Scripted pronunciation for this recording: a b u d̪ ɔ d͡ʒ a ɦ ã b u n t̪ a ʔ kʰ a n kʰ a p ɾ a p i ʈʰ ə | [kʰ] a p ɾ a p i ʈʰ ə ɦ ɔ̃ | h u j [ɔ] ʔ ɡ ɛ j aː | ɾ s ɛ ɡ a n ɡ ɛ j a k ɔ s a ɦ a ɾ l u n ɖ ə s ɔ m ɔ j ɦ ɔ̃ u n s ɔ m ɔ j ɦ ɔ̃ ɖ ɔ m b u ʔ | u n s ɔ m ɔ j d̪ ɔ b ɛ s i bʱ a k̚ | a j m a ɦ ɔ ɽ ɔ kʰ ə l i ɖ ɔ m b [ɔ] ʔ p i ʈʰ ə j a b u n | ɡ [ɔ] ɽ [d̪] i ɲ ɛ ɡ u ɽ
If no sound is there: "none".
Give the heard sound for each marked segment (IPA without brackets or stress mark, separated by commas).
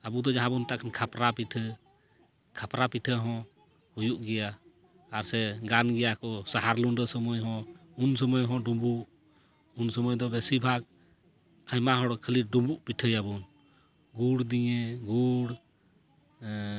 kʰ, u, u, u, d̪